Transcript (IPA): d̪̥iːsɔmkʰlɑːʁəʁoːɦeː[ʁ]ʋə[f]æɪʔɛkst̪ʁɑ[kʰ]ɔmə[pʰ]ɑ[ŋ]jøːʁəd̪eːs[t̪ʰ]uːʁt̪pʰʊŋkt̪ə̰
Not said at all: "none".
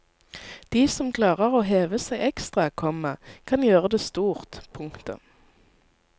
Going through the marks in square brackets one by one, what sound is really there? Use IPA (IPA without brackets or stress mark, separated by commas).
none, s, kʰ, kʰ, n, t̪